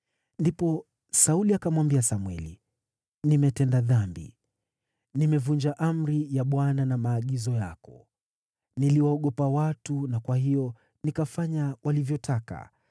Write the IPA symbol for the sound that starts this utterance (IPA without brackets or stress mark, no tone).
n